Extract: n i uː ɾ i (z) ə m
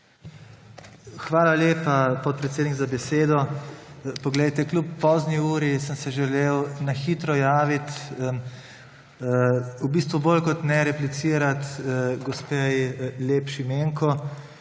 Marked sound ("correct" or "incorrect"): incorrect